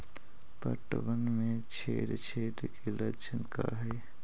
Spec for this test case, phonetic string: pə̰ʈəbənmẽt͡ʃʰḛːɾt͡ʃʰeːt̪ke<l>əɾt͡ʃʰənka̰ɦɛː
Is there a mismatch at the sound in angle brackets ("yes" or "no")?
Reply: no